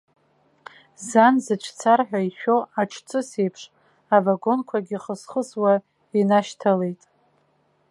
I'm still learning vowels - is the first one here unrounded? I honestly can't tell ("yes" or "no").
yes